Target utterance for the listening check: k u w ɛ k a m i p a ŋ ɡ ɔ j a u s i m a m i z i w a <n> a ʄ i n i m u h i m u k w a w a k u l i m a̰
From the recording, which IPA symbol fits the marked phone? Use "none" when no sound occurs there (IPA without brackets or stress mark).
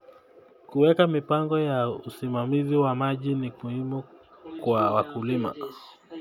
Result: m